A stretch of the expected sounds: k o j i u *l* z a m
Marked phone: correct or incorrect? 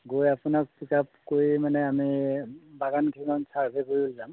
correct